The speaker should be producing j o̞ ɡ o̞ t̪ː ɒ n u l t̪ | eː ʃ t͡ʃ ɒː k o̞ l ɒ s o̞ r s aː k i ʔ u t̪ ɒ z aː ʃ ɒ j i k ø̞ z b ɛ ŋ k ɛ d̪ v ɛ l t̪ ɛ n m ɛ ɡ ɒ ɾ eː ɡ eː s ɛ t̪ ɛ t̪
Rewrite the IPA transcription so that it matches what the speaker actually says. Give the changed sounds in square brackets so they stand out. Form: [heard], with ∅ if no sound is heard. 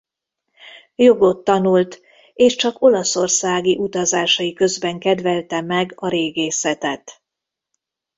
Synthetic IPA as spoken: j o̞ ɡ o̞ t̪ː ɒ n u l t̪ | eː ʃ t͡ʃ [ɒ] k o̞ l ɒ s o̞ r s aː [ɡ] i ʔ u t̪ ɒ z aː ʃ ɒ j i k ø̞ z b ɛ ŋ k ɛ d̪ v ɛ l t̪ ɛ [∅] m ɛ ɡ ɒ ɾ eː ɡ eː s ɛ t̪ ɛ t̪